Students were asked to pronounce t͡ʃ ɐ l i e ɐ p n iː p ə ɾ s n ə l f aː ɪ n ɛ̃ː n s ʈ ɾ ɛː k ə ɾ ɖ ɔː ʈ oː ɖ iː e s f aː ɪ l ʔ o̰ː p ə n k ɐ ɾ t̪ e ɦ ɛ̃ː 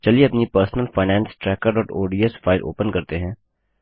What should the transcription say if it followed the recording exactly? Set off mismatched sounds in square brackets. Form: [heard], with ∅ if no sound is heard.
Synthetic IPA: t͡ʃ ɐ l i e ɐ p n [i] p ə ɾ s n ə l f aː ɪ n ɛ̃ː n s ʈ ɾ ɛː k ə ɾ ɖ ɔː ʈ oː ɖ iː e s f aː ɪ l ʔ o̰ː p ə n k ɐ ɾ t̪ e ɦ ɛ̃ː

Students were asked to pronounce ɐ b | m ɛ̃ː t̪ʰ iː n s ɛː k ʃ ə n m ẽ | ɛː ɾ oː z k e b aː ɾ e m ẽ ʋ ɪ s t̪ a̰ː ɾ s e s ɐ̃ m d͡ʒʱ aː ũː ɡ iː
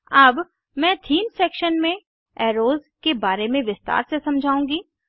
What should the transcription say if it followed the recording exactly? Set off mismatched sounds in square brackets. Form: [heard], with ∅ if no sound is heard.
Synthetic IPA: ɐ b | m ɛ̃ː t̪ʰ iː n s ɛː k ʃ ə n m ẽ | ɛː ɾ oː z k e b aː ɾ e m ẽ ʋ ɪ s t̪ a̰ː ɾ s e s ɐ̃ m d͡ʒʱ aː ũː ɡ iː

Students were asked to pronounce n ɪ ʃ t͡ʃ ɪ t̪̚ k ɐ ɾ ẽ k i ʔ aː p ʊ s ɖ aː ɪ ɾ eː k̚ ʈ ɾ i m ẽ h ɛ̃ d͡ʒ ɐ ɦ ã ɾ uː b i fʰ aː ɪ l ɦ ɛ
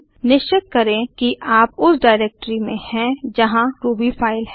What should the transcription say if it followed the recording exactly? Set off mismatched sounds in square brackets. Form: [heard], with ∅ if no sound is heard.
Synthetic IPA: n ɪ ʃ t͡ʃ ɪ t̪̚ k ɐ ɾ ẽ k i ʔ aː p ʊ s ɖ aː ɪ ɾ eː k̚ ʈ ɾ i m ẽ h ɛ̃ d͡ʒ ɐ ɦ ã ɾ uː b i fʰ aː ɪ l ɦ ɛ

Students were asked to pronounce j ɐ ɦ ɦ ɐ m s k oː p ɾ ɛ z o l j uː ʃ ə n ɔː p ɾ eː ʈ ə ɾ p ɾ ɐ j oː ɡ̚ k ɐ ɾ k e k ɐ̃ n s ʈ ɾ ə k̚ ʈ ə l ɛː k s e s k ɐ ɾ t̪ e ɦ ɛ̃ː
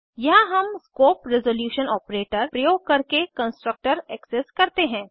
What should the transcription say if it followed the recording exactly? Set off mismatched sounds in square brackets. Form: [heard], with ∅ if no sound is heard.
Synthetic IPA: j ɐ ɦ ɦ ɐ m s k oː p ɾ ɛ z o l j uː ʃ ə n ɔː p ɾ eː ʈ ə ɾ p ɾ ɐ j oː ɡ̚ k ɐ ɾ k e k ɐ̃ n s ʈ ɾ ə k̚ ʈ ə [ɾ] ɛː k s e s k ɐ ɾ t̪ e ɦ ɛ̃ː

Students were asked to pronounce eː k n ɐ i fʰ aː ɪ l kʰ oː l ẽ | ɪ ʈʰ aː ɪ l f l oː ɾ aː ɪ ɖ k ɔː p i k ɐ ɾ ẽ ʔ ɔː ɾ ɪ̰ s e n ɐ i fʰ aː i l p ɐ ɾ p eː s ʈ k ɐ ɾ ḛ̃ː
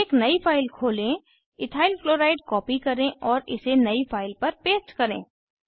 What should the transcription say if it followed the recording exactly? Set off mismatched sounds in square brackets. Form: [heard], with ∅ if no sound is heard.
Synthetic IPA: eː k n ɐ i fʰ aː ɪ l kʰ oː l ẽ | ɪ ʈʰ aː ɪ l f l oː ɾ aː ɪ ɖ k ɔː p i k ɐ ɾ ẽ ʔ ɔː ɾ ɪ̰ s e n ɐ i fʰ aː [ɪ] l p ɐ ɾ p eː s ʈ k ɐ ɾ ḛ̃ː

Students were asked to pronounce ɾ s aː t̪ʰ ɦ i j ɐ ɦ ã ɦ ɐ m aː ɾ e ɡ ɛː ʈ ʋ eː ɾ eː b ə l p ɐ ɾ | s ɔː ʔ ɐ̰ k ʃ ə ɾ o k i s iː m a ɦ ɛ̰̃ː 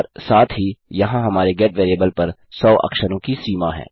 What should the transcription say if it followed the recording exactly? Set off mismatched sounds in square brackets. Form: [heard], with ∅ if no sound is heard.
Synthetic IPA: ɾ s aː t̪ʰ ɦ i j ɐ ɦ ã ɦ ɐ m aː ɾ e ɡ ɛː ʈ ʋ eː ɾ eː b ə l p ɐ ɾ | s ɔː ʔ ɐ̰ k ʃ ə ɾ [õ] k i s iː m a ɦ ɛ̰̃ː

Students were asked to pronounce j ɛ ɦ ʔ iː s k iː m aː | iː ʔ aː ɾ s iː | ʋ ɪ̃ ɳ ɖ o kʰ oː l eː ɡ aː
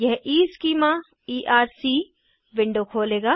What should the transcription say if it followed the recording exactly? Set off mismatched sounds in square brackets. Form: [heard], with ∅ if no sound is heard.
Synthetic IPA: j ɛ ɦ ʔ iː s k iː m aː | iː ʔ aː ɾ s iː | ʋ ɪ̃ ɳ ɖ o kʰ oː l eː ɡ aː

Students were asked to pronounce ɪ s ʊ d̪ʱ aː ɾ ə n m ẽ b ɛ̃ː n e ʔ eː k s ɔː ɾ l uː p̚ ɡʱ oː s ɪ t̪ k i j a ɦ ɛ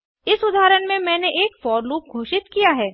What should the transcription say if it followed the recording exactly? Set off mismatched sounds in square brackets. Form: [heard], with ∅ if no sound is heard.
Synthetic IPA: ɪ s ʊ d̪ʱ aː ɾ ə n m ẽ [m] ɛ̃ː n e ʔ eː k [f] ɔː ɾ l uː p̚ ɡʱ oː [ʃ] ɪ t̪ k i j a ɦ [ɛː]

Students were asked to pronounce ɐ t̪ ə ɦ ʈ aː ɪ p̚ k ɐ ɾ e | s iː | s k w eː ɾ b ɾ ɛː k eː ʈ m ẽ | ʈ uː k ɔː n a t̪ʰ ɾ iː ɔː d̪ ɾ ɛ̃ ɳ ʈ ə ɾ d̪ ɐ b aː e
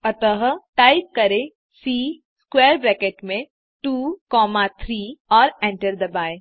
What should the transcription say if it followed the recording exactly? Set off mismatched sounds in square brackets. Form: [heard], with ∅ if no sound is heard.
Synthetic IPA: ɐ t̪ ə ɦ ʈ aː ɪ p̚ k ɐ ɾ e | s iː | s k w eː ɾ b ɾ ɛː k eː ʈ m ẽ | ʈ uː k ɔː [m] a t̪ʰ ɾ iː ɔː [∅] ɾ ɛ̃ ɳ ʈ ə ɾ d̪ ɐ b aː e

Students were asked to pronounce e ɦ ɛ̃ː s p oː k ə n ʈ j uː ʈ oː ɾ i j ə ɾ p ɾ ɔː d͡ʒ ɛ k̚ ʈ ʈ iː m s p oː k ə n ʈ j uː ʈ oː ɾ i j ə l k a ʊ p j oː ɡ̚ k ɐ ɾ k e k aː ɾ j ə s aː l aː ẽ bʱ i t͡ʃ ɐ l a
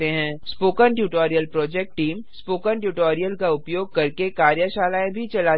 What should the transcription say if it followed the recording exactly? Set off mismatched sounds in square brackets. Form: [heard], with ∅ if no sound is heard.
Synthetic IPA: e ɦ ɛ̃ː s p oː k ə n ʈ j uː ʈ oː ɾ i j ə [l] p ɾ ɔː d͡ʒ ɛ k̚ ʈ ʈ iː m s p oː k ə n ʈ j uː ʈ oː ɾ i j ə l k a ʊ p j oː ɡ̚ k ɐ ɾ k e k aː ɾ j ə [ʃ] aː l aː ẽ bʱ i t͡ʃ ɐ l a

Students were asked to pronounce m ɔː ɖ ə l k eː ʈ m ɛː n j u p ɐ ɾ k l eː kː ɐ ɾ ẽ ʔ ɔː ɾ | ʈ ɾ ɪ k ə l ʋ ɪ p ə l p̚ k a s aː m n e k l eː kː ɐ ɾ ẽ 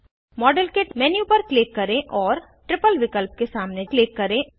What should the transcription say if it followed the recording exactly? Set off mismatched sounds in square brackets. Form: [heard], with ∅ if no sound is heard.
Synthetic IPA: m ɔː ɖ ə l k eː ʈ m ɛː n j u p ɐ ɾ k l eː kː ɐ ɾ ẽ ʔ ɔː ɾ | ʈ ɾ ɪ [p] ə l ʋ ɪ [k] ə l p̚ k [e] s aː m n e k l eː kː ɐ ɾ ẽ

